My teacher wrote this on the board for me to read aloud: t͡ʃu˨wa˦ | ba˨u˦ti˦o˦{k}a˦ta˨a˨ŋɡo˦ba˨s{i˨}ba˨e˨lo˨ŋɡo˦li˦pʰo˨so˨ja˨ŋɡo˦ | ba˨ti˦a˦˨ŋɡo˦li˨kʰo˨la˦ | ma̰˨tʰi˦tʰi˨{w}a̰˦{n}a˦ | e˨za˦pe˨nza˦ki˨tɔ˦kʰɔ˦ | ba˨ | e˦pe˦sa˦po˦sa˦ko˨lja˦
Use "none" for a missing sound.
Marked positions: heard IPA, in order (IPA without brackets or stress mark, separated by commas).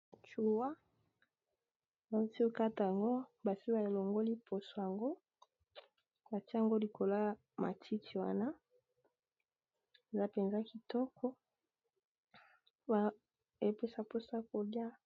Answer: k, i˦, w, n